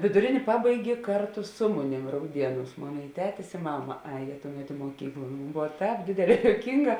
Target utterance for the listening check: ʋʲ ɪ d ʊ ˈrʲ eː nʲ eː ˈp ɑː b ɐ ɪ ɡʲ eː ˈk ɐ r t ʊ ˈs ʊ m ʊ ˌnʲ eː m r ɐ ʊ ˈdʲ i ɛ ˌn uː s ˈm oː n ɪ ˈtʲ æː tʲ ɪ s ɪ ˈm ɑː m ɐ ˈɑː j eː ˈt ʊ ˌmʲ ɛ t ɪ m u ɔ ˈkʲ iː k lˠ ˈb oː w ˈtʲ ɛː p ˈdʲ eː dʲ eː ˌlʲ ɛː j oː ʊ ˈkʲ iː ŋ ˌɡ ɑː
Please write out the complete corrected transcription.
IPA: ʋʲ ɪ d ʊ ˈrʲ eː nʲ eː ˈp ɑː b ɐ ɪ ɡʲ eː ˈk ɐ r t ʊ ˈs ʊ m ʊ ˌnʲ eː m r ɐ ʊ ˈdʲ i ɛ ˌn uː s ˈm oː n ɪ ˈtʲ æː tʲ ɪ s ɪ ˈm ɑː m ɐ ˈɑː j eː ˈt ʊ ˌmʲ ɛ t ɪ m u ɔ ˈkʲ iː k lˠ ˈb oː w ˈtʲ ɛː p ˈdʲ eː dʲ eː ˌlʲ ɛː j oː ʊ ˈkʲ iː ŋ ˌɡ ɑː